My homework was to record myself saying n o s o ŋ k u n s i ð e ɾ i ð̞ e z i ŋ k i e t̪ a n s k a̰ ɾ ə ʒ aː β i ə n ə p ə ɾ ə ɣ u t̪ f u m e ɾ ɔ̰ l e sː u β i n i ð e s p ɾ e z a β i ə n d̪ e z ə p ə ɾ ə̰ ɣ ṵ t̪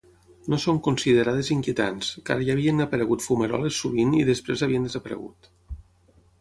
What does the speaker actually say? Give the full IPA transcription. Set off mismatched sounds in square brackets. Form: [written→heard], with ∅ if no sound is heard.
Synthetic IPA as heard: n o s o ŋ k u n s i ð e ɾ [i→a] ð̞ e z i ŋ k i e t̪ a n s k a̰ ɾ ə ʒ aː β i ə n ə p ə ɾ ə ɣ u t̪ f u m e ɾ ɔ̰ l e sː u β i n i ð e s p ɾ e z a β i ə n d̪ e z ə p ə ɾ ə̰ ɣ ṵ t̪